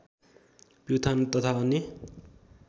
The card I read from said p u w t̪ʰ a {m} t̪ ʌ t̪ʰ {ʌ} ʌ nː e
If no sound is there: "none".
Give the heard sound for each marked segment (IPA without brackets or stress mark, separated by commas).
n, a